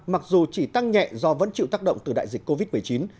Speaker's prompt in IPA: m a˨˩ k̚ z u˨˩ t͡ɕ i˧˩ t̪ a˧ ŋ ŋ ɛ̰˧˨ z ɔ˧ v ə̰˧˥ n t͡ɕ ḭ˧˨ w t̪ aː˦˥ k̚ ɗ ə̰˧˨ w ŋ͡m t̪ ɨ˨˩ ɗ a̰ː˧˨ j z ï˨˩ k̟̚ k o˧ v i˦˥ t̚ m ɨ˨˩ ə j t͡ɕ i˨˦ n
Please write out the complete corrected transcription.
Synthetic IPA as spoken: m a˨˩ k̚ z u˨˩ t͡ɕ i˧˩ t̪ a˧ ŋ ɲ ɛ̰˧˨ z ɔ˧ v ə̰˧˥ n t͡ɕ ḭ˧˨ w t̪ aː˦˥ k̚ ɗ ə̰˧˨ w ŋ͡m t̪ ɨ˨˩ ɗ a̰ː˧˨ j z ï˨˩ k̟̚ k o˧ v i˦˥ t̚ m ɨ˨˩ ə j t͡ɕ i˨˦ n

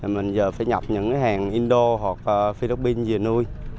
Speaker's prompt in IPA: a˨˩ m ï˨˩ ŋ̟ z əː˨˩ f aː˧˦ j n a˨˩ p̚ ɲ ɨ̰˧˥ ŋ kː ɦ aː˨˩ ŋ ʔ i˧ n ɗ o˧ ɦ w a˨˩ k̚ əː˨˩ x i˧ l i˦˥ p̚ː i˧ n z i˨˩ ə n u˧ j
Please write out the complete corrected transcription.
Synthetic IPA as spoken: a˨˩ m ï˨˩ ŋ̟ z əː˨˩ f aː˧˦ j ɲ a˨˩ p̚ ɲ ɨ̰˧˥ ŋ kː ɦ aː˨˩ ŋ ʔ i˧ n ɗ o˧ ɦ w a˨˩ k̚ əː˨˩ f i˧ l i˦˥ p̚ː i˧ n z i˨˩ ə n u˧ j

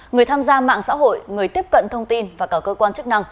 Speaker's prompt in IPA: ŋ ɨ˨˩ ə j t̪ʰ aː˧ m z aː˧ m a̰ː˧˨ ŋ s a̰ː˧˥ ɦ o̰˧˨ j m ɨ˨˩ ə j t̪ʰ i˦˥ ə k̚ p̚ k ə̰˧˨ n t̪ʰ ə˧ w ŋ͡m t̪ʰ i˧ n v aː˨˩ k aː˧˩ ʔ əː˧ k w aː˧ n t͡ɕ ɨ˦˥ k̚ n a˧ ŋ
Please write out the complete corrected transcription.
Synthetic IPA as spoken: ŋ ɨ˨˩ ə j t̪ʰ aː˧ m z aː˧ m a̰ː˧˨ ŋ s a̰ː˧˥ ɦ o̰˧˨ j ŋ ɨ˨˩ ə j t̪ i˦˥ ə p̚ k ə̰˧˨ n t̪ʰ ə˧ w ŋ͡m t̪ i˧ n v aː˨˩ k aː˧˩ k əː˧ k w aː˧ n t͡ɕ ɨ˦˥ k̚ n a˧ ŋ

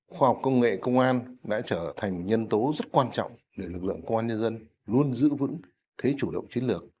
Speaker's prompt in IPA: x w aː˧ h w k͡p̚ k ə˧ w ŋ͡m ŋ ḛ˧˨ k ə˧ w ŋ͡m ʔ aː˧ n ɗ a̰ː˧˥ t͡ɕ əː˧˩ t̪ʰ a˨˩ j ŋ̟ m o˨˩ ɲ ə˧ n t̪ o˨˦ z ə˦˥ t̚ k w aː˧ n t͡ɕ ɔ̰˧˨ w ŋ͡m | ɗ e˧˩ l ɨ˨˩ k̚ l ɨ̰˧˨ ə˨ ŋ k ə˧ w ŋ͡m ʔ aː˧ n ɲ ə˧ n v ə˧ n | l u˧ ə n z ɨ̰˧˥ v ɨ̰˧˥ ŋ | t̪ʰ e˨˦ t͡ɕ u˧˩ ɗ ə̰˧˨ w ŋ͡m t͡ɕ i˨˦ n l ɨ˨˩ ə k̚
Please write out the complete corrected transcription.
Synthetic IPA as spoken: x w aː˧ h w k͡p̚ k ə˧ w ŋ͡m ŋ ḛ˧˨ k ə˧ w ŋ͡m ʔ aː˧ n ɗ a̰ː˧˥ t͡ɕ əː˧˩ t̪ʰ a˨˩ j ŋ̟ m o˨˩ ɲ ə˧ n t̪ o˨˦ z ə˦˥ t̚ k w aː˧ n t͡ɕ ɔ̰˧˨ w ŋ͡m | ɗ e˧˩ l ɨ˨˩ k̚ l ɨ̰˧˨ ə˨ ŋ k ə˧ w ŋ͡m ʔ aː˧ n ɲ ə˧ n z ə˧ n | l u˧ ə n z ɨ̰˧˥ v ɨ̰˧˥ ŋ | t̪ʰ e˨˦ t͡ɕ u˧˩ ɗ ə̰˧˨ w ŋ͡m t͡ɕ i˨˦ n l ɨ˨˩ ə k̚

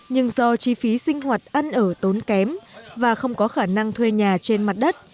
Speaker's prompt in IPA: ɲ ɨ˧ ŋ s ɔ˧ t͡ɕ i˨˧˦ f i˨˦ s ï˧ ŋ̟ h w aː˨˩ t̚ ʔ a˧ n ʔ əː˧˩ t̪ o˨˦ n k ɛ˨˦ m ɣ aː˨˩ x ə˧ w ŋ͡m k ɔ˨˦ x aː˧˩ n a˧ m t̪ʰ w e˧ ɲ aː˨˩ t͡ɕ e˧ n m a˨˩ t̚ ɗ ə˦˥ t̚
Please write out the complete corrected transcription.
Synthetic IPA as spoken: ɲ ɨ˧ ŋ z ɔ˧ t͡ɕ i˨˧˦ f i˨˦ s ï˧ ŋ̟ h w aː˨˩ t̚ ʔ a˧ n ʔ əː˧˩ t̪ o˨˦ n k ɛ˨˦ m v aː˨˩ x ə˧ w ŋ͡m k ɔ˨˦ x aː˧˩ n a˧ ŋ t̪ʰ w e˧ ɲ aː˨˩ t͡ɕ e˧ n m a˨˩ t̚ ɗ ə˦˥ t̚

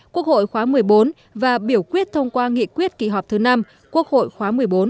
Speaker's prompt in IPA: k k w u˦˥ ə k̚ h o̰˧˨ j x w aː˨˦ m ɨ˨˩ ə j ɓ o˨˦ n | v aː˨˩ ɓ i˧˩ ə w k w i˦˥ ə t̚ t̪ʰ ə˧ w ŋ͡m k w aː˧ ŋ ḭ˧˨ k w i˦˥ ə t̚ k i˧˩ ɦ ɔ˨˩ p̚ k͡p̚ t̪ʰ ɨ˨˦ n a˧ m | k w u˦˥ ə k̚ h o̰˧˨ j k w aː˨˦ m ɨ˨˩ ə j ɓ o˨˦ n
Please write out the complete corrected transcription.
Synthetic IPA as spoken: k k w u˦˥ ə k̚ h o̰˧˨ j x w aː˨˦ m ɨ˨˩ ə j ɓ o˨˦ n | v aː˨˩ ɓ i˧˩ ə w k w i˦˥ ə t̚ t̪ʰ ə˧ w ŋ͡m k w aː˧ ŋ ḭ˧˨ k w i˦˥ ə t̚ k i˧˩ ɦ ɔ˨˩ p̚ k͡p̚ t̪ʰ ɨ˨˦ n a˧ m | k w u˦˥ ə k̚ h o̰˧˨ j x w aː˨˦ m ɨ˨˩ ə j ɓ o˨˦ n

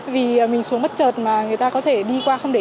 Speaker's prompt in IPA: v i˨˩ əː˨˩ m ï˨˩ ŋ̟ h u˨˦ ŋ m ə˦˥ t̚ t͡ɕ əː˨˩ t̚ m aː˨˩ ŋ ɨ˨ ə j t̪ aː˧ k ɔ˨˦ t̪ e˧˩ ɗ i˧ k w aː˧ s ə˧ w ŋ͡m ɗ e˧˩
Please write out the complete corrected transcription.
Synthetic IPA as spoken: v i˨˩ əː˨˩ m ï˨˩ ŋ̟ s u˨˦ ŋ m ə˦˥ t̚ t͡ɕ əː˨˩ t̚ m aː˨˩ ŋ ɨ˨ ə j t̪ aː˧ k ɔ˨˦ t̪ʰ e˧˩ ɗ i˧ k w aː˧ x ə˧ w ŋ͡m ɗ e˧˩

